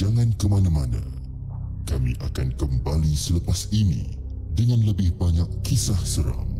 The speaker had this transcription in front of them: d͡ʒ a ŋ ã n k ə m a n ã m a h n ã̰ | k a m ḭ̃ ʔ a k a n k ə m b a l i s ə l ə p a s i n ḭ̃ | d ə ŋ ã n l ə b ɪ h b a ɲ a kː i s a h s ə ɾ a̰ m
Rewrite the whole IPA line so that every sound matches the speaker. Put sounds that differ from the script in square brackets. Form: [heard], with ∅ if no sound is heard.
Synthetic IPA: d͡ʒ a ŋ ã n k ə m a n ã m a [∅] n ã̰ | k a m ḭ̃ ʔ a k a n k ə m b a l i s ə l ə p a s i n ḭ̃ | d ə ŋ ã n l ə b ɪ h b a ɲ a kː i s a h s ə ɾ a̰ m